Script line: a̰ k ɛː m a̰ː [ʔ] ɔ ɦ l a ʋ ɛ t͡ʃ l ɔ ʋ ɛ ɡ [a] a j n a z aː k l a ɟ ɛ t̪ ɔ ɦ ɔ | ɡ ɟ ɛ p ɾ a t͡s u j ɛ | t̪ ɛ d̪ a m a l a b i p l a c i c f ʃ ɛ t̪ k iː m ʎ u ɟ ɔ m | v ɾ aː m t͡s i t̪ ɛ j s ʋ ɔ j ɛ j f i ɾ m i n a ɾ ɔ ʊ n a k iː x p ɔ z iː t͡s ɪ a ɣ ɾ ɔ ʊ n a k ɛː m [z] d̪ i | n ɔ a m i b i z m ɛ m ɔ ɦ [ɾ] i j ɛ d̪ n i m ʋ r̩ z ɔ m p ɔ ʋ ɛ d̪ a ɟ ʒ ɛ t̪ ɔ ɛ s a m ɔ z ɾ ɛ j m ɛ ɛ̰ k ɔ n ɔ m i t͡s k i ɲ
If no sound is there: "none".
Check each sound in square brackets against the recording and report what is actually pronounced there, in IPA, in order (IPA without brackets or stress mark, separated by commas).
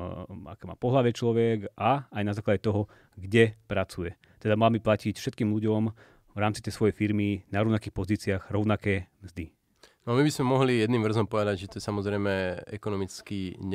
p, a, z, l